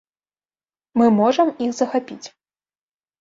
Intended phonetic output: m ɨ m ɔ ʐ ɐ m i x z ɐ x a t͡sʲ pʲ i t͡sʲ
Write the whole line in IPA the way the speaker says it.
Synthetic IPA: m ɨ m ɔ ʐ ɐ m i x z ɐ x a pʲ i t͡sʲ